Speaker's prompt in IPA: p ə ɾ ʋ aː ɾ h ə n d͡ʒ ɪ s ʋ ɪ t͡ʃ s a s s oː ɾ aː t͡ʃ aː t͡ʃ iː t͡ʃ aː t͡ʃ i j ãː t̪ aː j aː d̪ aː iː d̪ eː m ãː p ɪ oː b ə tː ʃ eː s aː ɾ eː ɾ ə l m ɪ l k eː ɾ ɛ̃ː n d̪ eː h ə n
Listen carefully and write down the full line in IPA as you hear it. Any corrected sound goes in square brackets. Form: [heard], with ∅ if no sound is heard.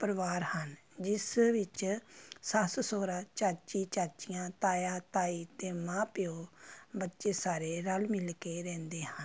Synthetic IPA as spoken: p ə ɾ ʋ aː ɾ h ə n d͡ʒ ɪ s ʋ ɪ t͡ʃ s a s s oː ɾ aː t͡ʃ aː t͡ʃ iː t͡ʃ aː t͡ʃ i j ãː t̪ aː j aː [t̪] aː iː [t̪] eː m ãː p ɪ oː b ə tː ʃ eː s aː ɾ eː ɾ ə l m ɪ l k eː ɾ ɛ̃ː n d̪ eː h ə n

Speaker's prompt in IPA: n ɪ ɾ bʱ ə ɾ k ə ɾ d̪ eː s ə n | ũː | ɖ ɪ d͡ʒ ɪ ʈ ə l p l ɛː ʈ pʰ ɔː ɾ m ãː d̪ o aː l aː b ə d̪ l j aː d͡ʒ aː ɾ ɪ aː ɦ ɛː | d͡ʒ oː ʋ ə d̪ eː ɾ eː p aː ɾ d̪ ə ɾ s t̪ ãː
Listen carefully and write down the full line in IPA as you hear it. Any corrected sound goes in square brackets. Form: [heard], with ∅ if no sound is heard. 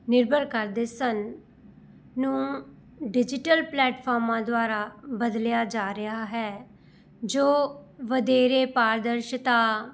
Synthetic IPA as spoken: n ɪ ɾ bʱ ə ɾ k ə ɾ d̪ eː s ə n | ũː | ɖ ɪ d͡ʒ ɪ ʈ ə l p l ɛː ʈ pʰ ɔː ɾ m ãː d̪ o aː [ɾ] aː b ə d̪ l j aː d͡ʒ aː ɾ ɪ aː ɦ ɛː | d͡ʒ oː ʋ ə d̪ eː ɾ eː p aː ɾ d̪ ə ɾ [ʃ] t̪ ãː

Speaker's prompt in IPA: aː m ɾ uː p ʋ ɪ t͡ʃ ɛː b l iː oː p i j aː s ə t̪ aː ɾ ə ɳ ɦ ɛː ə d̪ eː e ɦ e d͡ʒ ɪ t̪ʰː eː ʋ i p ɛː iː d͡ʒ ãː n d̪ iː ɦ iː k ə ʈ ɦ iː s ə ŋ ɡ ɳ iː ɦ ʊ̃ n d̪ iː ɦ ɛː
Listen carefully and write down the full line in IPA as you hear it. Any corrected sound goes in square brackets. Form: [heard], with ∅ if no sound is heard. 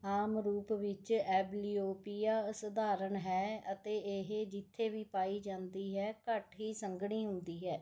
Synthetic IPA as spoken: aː m ɾ uː p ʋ ɪ t͡ʃ ɛː b l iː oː p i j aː s ə [d̪] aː ɾ ə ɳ ɦ ɛː ə [t̪] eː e ɦ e d͡ʒ ɪ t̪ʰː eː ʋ [iː] p [aː] iː d͡ʒ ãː n d̪ iː ɦ [ɛː] k ə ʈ ɦ iː s ə ŋ ɡ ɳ iː ɦ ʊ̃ n d̪ iː ɦ ɛː

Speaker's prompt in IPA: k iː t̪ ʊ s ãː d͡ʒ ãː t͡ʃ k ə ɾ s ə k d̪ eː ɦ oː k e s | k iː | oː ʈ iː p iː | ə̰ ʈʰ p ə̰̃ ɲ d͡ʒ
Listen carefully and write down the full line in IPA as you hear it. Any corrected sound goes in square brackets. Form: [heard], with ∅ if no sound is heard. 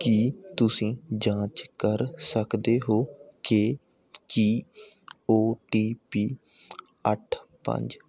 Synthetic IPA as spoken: k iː t̪ ʊ s [ĩː] d͡ʒ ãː t͡ʃ k ə ɾ s ə k d̪ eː ɦ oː k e [∅] | k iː | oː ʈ iː p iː | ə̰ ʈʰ p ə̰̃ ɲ d͡ʒ

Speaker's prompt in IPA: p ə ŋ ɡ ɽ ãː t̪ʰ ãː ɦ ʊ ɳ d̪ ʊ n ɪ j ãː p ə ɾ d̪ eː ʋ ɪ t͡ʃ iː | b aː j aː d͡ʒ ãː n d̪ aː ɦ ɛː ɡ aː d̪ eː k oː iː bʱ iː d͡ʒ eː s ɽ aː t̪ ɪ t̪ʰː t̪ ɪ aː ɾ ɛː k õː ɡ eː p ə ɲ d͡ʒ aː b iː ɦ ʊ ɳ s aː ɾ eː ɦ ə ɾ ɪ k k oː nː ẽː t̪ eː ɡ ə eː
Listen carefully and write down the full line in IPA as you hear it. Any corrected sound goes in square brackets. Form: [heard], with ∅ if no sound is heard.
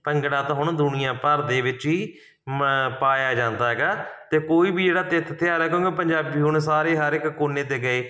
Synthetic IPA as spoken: p ə ŋ ɡ ɽ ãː [t̪] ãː ɦ ʊ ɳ d̪ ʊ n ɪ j ãː p ə ɾ d̪ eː ʋ ɪ t͡ʃ iː | [p] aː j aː d͡ʒ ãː n d̪ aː ɦ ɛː ɡ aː [t̪] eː k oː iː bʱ iː d͡ʒ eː [∅] ɽ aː t̪ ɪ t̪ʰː t̪ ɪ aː ɾ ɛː k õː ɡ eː p ə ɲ d͡ʒ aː b iː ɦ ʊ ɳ s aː ɾ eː ɦ ə ɾ ɪ k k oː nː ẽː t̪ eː ɡ ə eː

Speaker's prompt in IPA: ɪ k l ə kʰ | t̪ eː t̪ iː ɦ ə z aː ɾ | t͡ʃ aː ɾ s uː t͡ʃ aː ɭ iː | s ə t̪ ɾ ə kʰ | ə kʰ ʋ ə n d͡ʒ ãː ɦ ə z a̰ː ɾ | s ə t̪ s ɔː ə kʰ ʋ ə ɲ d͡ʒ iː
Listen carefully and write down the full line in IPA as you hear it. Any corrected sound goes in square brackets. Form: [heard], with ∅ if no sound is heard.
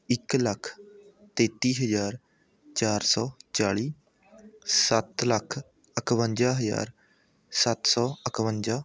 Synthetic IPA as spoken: ɪ k l ə kʰ | t̪ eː t̪ iː ɦ ə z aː ɾ | t͡ʃ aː ɾ s [ɔː] t͡ʃ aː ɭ iː | s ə t̪ [l] ə kʰ | ə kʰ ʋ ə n d͡ʒ [aː] ɦ ə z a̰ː ɾ | s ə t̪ s ɔː ə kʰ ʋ ə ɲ d͡ʒ [aː]

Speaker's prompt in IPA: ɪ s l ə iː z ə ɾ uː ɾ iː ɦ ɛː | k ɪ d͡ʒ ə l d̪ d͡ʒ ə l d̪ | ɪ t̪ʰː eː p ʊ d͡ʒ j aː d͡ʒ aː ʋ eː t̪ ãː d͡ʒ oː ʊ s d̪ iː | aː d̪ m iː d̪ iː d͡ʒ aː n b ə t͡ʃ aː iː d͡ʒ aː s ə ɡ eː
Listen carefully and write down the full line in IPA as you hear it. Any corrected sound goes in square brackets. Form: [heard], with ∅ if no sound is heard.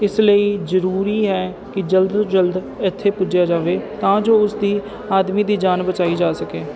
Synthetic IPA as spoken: ɪ s l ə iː z ə ɾ uː ɾ iː ɦ ɛː | k ɪ d͡ʒ ə l d̪ d͡ʒ ə l d̪ | ɪ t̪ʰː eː p ʊ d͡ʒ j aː d͡ʒ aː ʋ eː t̪ ãː d͡ʒ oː ʊ s d̪ iː | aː d̪ m iː d̪ iː d͡ʒ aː n b ə t͡ʃ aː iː d͡ʒ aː s ə [k] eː

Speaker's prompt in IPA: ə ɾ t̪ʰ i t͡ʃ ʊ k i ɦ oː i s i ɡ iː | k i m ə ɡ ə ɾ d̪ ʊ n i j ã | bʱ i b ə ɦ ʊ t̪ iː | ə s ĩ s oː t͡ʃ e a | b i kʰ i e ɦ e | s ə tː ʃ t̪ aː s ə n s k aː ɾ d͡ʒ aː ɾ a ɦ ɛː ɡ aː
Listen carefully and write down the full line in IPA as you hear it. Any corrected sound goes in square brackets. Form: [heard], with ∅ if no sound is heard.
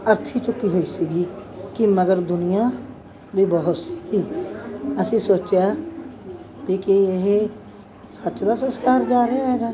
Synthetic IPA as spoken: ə ɾ t̪ʰ i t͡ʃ ʊ k i ɦ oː i s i ɡ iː | k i m ə ɡ ə ɾ d̪ ʊ n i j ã | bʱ i b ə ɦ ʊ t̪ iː | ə s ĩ s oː t͡ʃ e a | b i [k] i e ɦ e | s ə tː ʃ [d̪] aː s ə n s k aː ɾ d͡ʒ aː ɾ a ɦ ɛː ɡ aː

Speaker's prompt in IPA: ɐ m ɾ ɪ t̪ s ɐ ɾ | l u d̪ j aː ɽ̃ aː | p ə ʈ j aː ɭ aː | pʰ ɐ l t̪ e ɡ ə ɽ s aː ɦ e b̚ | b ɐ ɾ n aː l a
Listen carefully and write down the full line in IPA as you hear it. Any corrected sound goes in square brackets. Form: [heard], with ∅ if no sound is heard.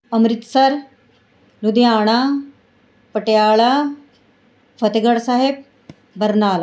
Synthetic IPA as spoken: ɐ m ɾ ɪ t̪ s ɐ ɾ | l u d̪ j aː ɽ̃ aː | p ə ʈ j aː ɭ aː | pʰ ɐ [∅] t̪ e ɡ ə ɽ s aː ɦ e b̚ | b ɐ ɾ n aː l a

